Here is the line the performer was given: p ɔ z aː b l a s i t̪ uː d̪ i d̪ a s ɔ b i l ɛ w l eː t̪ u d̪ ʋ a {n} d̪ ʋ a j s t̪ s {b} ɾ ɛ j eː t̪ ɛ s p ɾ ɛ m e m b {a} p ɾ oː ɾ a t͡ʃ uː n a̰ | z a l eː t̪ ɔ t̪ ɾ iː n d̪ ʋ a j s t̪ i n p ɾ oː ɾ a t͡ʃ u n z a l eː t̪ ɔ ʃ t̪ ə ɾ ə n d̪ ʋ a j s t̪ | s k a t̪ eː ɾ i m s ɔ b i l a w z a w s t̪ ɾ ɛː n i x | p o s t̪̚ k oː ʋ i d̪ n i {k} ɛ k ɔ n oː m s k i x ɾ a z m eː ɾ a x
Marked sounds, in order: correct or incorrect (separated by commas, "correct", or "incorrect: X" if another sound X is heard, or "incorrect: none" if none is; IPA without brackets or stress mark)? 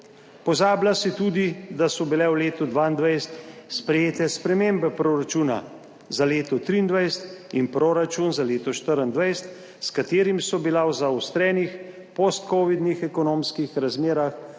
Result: correct, incorrect: p, incorrect: ɛ, incorrect: x